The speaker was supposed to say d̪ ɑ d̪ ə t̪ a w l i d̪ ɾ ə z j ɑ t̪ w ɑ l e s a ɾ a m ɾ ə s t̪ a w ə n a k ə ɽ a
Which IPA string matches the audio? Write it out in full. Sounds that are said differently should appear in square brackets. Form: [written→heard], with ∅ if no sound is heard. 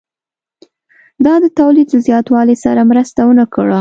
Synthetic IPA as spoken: d̪ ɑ d̪ ə t̪ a w l i d̪ [ɾ→l] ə z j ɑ t̪ w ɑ l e s a ɾ a m ɾ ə s t̪ a w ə n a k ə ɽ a